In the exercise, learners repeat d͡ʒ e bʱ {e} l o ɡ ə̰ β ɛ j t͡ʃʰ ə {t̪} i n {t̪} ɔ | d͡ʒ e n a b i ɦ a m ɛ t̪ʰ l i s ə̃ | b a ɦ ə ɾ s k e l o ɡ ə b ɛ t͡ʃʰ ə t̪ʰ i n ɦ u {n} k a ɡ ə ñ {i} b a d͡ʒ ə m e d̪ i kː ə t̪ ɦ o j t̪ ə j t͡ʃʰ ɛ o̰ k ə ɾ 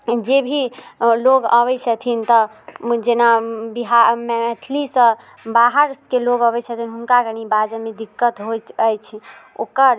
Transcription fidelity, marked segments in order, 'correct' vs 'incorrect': incorrect: i, incorrect: t̪ʰ, correct, correct, correct

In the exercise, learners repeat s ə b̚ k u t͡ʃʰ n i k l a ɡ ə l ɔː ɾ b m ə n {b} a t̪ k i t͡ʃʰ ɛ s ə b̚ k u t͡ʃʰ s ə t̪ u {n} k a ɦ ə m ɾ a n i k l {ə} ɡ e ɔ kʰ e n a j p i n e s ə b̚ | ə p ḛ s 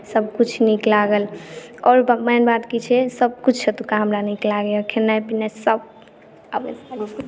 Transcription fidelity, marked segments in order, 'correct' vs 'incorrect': correct, incorrect: none, incorrect: a

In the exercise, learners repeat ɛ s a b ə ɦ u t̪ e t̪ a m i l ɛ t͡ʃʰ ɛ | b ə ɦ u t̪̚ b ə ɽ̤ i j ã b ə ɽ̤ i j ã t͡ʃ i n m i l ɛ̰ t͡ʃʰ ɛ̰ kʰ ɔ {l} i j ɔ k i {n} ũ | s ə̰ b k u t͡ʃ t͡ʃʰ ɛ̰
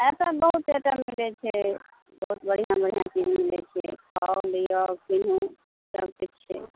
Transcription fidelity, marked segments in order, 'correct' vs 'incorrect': correct, correct

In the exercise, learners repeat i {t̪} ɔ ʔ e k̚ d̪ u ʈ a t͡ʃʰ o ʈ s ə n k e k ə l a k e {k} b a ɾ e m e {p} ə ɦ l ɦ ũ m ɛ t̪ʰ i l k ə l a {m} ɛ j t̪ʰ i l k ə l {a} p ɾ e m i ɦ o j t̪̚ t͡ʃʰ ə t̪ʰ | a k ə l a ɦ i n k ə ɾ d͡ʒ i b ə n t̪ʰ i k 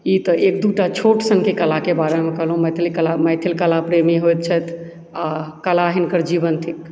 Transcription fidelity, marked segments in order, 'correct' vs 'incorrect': correct, incorrect: none, incorrect: k, correct, correct

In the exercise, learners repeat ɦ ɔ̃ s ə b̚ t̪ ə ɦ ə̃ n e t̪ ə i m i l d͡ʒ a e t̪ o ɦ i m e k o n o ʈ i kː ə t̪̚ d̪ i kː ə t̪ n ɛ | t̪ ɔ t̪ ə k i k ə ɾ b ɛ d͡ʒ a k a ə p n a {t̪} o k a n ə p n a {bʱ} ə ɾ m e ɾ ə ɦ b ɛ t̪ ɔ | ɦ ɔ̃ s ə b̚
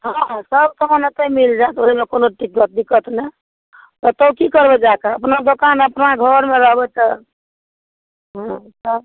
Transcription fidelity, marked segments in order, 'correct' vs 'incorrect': incorrect: d̪, incorrect: ɡʱ

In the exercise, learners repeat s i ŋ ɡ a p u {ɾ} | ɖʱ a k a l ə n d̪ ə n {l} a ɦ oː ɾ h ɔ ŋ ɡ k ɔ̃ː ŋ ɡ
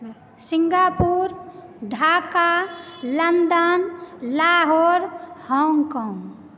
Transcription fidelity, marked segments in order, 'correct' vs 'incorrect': correct, correct

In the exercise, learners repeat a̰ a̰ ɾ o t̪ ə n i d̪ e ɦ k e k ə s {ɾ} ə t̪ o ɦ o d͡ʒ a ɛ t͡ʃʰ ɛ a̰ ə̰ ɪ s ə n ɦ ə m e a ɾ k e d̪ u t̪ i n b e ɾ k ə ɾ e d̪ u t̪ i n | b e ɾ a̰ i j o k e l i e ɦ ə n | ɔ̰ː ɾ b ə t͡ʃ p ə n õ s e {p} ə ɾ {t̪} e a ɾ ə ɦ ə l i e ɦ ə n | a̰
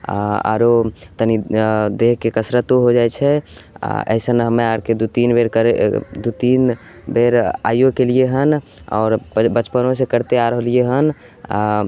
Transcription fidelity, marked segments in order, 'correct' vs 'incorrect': correct, incorrect: k, correct

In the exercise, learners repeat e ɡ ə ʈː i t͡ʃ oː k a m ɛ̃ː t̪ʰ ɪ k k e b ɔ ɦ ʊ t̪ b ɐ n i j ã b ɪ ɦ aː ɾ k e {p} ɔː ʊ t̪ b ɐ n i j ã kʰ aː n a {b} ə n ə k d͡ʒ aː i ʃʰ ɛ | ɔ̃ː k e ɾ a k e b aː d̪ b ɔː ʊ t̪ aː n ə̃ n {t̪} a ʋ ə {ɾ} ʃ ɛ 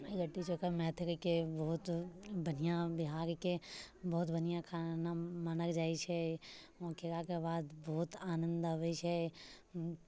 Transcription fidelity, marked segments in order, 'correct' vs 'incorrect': incorrect: b, incorrect: m, incorrect: d̪, incorrect: none

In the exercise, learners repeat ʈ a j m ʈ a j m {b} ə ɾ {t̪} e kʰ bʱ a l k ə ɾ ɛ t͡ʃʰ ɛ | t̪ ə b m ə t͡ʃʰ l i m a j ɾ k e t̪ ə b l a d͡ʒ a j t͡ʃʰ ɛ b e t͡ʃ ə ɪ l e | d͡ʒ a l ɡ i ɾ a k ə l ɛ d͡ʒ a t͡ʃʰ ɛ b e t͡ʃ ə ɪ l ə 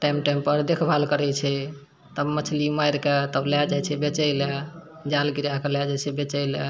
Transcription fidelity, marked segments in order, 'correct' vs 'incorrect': incorrect: p, incorrect: d̪

